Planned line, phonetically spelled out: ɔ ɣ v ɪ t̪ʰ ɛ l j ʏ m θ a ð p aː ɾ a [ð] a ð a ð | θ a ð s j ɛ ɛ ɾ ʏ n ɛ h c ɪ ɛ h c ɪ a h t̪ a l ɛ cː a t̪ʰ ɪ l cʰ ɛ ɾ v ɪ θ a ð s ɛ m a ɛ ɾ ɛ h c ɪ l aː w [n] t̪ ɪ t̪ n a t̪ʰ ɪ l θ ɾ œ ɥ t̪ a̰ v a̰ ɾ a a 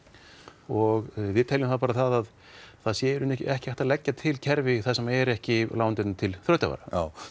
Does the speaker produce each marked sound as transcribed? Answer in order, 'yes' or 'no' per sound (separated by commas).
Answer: no, yes